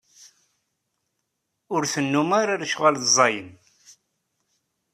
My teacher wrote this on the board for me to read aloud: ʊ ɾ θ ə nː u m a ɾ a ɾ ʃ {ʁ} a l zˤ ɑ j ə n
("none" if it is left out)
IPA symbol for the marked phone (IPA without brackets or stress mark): ʁ